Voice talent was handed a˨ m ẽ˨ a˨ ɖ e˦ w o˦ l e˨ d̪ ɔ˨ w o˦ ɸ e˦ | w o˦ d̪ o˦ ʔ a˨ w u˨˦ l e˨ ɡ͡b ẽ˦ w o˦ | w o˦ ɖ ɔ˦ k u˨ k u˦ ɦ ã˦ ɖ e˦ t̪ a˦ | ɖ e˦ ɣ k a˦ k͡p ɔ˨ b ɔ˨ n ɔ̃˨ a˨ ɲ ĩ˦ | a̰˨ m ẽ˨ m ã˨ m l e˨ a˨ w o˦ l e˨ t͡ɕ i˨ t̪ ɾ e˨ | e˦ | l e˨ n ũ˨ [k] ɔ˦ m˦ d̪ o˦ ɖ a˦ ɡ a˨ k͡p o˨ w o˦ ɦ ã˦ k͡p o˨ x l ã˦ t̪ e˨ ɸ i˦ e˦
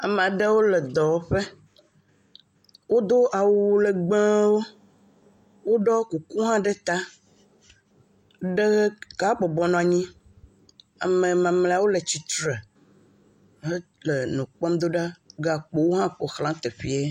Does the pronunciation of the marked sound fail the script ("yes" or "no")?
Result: yes